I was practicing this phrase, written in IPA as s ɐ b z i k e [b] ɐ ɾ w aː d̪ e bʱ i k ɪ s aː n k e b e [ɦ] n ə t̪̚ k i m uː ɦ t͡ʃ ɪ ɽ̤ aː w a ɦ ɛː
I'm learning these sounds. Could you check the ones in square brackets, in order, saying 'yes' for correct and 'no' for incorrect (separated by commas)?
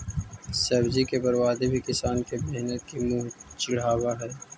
yes, yes